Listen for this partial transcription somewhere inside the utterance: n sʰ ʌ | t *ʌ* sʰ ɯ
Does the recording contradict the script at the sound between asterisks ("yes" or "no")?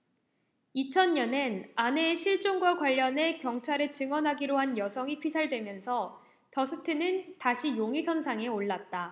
no